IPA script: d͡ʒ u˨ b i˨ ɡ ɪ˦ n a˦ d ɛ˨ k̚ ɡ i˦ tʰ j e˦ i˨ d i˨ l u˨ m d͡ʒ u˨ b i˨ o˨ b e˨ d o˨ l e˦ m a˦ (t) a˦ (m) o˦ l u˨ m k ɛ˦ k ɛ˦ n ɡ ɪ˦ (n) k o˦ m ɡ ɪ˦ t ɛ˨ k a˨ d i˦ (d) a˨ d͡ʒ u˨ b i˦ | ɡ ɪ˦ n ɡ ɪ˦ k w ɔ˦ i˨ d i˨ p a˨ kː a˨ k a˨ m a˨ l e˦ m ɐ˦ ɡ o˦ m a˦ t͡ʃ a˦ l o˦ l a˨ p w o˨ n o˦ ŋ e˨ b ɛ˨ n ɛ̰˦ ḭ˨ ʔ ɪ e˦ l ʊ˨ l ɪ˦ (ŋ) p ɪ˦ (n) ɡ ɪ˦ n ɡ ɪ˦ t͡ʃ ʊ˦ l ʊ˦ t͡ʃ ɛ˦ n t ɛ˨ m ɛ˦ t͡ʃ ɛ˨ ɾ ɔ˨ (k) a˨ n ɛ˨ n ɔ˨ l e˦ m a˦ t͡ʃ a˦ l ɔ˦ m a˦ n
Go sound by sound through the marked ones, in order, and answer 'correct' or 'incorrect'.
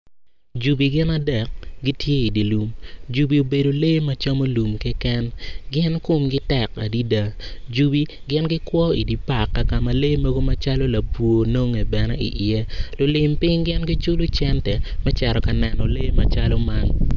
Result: incorrect, correct, correct, correct, incorrect, incorrect, correct

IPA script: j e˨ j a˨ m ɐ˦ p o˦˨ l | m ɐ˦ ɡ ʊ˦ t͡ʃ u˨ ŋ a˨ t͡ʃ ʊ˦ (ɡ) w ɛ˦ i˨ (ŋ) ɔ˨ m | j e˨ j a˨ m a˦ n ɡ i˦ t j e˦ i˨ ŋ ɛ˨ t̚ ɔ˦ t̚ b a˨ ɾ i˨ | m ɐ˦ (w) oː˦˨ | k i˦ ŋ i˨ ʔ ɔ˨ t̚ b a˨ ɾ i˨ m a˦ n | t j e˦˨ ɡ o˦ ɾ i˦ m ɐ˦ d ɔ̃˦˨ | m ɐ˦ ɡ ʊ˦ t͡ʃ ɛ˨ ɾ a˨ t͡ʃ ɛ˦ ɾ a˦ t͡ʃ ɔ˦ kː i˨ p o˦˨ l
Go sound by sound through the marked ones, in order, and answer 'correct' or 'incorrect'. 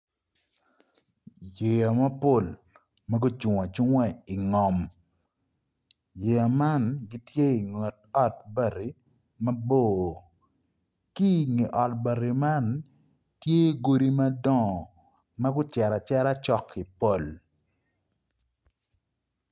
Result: incorrect, correct, incorrect

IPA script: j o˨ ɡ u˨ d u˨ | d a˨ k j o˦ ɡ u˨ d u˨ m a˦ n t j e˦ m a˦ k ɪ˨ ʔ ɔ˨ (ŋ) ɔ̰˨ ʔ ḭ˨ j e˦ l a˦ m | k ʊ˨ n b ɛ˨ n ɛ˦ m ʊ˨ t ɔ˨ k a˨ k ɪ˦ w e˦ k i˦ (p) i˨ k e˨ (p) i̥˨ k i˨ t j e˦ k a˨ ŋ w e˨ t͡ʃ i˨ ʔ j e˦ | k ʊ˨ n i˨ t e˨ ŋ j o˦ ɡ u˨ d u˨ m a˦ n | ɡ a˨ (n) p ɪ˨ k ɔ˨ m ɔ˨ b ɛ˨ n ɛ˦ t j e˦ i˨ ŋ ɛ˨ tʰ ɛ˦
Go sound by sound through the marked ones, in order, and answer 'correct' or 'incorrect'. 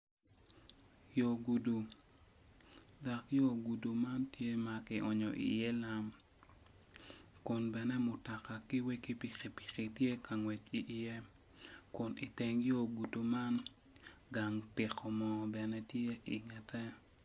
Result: incorrect, correct, correct, incorrect

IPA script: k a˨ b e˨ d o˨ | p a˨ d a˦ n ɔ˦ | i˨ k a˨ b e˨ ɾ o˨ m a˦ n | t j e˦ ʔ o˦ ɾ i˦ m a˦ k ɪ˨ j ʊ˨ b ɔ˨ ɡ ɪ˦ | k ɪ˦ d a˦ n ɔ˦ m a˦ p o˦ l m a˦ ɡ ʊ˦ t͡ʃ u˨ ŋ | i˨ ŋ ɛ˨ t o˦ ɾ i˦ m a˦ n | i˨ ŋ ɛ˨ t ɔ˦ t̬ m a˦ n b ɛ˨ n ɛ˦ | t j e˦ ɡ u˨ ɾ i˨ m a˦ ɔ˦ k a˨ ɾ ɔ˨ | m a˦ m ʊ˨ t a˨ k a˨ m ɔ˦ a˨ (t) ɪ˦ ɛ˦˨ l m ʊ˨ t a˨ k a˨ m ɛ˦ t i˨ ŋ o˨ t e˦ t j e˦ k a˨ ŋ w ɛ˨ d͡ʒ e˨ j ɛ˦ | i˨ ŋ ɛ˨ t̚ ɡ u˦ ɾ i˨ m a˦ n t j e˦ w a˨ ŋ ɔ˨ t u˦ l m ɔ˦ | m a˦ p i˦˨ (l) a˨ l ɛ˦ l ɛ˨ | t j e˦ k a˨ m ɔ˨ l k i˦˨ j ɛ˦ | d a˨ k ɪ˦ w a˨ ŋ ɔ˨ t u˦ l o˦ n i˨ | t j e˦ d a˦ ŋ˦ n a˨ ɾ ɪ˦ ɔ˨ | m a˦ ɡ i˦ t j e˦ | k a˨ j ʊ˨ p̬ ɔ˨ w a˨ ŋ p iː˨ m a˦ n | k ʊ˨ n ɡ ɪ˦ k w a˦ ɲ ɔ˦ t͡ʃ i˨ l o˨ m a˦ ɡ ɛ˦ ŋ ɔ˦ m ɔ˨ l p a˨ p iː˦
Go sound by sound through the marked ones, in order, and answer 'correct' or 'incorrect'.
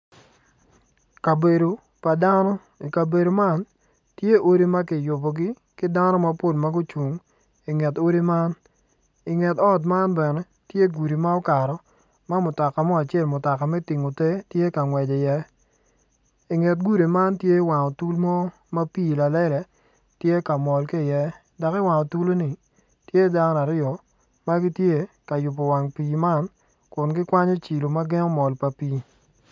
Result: incorrect, correct

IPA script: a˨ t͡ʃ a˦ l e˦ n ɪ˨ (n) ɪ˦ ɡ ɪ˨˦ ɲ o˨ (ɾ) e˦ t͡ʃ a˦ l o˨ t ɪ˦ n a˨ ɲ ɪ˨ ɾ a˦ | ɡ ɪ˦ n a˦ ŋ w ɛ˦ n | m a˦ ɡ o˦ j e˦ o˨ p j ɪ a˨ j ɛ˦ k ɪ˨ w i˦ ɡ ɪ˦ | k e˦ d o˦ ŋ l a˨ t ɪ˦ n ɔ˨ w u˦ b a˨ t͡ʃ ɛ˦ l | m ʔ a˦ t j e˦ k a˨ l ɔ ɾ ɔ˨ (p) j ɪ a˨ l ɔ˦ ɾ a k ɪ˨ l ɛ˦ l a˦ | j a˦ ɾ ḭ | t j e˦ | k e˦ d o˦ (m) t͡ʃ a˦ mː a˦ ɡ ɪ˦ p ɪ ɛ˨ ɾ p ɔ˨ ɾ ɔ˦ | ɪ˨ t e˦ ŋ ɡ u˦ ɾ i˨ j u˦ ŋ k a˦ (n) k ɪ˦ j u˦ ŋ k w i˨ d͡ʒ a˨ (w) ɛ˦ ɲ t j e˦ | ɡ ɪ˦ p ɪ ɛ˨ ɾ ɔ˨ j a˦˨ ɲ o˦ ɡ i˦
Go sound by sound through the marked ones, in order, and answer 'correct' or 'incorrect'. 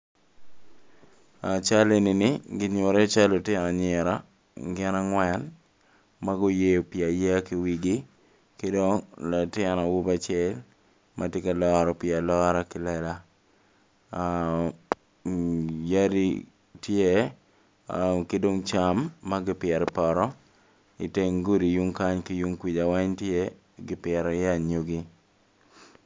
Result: correct, correct, correct, incorrect, incorrect, correct

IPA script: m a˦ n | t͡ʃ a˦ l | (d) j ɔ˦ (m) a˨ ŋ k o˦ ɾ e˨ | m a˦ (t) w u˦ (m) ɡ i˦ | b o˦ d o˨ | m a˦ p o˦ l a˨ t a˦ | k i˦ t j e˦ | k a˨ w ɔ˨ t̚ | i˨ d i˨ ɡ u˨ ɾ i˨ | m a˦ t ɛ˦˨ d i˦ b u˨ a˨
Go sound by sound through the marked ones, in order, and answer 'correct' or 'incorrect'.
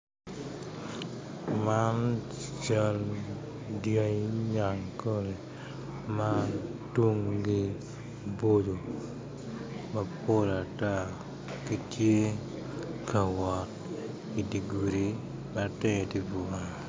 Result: correct, incorrect, correct, incorrect

